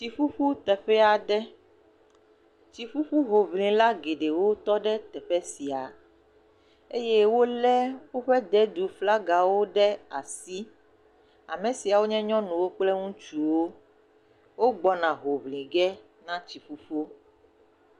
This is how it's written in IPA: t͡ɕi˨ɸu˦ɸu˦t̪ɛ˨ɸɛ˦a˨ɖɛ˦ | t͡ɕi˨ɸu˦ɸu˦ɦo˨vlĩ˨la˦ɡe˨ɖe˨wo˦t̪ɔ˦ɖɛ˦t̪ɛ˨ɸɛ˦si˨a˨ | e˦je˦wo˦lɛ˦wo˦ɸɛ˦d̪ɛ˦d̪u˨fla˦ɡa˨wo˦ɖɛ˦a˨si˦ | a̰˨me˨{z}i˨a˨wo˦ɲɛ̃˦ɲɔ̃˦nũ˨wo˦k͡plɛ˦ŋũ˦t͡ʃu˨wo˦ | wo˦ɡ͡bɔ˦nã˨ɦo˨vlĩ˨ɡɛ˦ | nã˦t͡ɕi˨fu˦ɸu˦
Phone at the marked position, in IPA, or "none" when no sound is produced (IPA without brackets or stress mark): s